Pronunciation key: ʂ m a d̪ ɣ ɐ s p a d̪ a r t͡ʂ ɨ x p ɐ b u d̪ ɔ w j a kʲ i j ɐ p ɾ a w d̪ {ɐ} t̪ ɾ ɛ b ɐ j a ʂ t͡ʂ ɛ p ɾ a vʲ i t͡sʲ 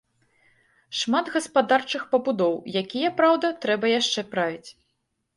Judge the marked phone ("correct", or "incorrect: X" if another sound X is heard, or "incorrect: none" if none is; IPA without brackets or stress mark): correct